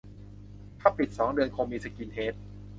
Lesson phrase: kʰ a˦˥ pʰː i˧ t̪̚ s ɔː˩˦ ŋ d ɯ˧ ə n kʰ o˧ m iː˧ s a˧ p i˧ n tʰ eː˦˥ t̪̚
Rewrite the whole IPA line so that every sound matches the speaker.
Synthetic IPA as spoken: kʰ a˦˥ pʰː i˨˩ t̪̚ s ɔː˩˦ ŋ d ɯ˧ ə n kʰ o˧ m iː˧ s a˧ k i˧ n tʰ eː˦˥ t̪̚